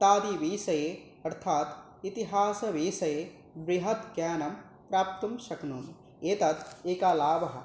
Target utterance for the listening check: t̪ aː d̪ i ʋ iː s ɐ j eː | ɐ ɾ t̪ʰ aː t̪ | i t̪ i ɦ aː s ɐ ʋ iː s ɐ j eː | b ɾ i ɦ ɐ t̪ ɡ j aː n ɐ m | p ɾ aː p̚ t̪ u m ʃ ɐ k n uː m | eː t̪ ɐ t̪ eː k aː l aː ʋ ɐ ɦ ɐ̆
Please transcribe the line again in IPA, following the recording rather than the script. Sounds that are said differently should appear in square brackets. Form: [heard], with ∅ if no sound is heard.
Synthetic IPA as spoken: t̪ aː d̪ i ʋ iː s ɐ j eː | ɐ ɾ t̪ʰ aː t̪ | i t̪ i ɦ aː s ɐ ʋ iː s ɐ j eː | b ɾ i ɦ ɐ t̪ ɡ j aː n ɐ m | p ɾ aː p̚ t̪ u m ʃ ɐ k n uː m | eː t̪ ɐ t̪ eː k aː l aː ʋ ɐ ɦ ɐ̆

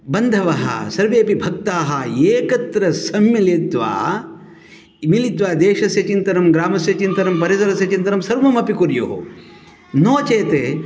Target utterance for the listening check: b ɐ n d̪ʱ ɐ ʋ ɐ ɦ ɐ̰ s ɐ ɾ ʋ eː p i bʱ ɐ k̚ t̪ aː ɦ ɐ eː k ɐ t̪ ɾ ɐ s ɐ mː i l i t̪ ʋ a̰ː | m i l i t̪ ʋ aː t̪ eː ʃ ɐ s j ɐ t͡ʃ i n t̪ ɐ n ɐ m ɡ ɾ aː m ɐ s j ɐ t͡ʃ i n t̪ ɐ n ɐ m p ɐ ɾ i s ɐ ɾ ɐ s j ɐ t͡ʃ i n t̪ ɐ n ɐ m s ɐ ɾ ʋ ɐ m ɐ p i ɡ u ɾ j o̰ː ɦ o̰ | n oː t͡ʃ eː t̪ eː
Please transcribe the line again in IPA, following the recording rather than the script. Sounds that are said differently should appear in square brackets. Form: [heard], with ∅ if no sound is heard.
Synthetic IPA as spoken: b ɐ n d̪ʱ ɐ ʋ ɐ ɦ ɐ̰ s ɐ ɾ ʋ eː p i bʱ ɐ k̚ t̪ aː ɦ ɐ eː k ɐ t̪ ɾ ɐ s ɐ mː i l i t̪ ʋ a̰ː | m i l i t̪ ʋ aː [d̪] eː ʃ ɐ s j ɐ t͡ʃ i n t̪ ɐ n ɐ m ɡ ɾ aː m ɐ s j ɐ t͡ʃ i n t̪ ɐ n ɐ m p ɐ ɾ i s ɐ ɾ ɐ s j ɐ t͡ʃ i n t̪ ɐ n ɐ m s ɐ ɾ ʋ ɐ m ɐ p i [k] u ɾ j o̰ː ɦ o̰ | n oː t͡ʃ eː t̪ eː

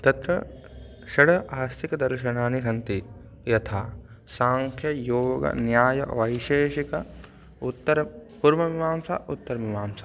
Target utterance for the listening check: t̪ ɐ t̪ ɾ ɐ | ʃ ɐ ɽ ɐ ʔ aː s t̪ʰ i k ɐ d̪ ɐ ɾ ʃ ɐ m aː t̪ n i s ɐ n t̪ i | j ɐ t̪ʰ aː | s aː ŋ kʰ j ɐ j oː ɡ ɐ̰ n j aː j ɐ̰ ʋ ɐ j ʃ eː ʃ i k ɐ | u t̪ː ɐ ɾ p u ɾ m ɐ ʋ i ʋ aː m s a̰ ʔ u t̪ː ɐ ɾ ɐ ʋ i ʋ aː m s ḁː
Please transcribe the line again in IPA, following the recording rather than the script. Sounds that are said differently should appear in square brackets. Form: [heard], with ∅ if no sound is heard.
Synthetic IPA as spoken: t̪ ɐ t̪ ɾ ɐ | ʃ ɐ ɽ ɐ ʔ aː s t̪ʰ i k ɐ d̪ ɐ ɾ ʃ ɐ [n] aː [∅] n i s ɐ n t̪ i | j ɐ t̪ʰ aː | s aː ŋ kʰ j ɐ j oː ɡ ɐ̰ n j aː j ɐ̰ ʋ ɐ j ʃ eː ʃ i k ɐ | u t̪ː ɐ ɾ p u ɾ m ɐ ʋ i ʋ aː m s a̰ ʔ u t̪ː ɐ ɾ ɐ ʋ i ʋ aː m s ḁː

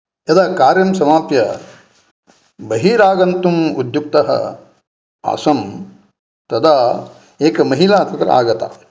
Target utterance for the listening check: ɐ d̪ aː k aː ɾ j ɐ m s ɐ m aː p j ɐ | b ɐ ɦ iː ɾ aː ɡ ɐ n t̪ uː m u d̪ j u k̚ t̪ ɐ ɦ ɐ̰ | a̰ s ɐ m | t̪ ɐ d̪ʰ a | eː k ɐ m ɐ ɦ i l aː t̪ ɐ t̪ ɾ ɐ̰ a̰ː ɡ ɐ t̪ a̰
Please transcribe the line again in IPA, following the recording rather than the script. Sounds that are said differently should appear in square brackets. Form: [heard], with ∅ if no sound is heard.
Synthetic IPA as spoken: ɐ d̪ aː k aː ɾ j ɐ m s ɐ m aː p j ɐ | b ɐ ɦ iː ɾ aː ɡ ɐ n t̪ [u] m u d̪ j u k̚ t̪ ɐ ɦ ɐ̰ | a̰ s ɐ m | t̪ ɐ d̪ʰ a | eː k ɐ m ɐ ɦ i l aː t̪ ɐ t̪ ɾ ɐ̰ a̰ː ɡ ɐ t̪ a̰

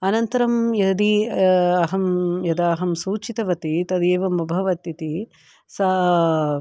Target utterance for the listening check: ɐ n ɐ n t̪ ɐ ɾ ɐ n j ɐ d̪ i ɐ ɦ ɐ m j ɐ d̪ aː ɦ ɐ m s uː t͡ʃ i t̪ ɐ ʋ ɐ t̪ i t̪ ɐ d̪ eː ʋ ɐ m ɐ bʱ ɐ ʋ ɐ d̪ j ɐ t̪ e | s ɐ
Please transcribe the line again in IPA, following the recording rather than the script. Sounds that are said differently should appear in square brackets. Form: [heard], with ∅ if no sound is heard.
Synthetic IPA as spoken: ɐ n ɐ n t̪ ɐ ɾ ɐ [m] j ɐ d̪ i ɐ ɦ ɐ m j ɐ d̪ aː ɦ ɐ m s uː t͡ʃ i t̪ ɐ ʋ ɐ t̪ i t̪ ɐ d̪ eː ʋ ɐ m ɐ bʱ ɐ ʋ ɐ [t̪] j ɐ t̪ [i] | s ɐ

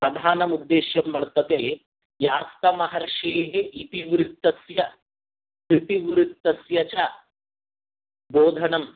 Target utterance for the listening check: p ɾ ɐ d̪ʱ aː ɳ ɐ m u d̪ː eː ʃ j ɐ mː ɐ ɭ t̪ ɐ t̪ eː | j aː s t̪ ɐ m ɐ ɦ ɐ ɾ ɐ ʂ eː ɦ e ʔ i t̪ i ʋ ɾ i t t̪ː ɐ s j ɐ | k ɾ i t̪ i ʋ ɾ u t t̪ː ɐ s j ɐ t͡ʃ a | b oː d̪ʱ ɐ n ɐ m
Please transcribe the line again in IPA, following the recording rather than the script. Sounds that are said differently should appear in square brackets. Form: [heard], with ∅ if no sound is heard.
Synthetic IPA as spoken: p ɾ ɐ d̪ʱ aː [n] ɐ m u d̪ː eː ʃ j ɐ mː ɐ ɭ t̪ ɐ t̪ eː | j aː s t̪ ɐ m ɐ ɦ ɐ ɾ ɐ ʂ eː ɦ e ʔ i t̪ i ʋ ɾ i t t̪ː ɐ s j ɐ | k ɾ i t̪ i ʋ ɾ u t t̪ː ɐ s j ɐ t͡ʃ a | b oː d̪ʱ ɐ n ɐ m

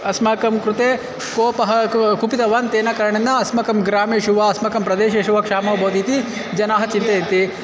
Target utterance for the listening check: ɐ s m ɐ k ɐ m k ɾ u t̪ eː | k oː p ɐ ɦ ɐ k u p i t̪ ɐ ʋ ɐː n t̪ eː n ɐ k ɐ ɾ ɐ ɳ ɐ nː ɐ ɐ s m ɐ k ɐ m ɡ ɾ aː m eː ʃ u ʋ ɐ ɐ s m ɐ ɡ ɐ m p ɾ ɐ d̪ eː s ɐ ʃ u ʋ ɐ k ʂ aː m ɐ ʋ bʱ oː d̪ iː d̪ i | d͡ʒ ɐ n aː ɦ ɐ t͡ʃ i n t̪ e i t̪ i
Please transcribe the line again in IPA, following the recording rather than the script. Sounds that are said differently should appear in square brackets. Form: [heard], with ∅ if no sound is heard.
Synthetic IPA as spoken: ɐ s m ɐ k ɐ m k ɾ u t̪ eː | k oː p ɐ ɦ ɐ k u p i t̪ ɐ ʋ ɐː n t̪ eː n ɐ k ɐ ɾ ɐ ɳ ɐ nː ɐ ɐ s m ɐ k ɐ m ɡ ɾ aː m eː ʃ u ʋ ɐ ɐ s m ɐ [k] ɐ m p ɾ ɐ d̪ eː [ʃ] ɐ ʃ u ʋ ɐ k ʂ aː m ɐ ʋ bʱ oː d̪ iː [t̪] i | d͡ʒ ɐ n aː ɦ ɐ t͡ʃ i n t̪ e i t̪ i

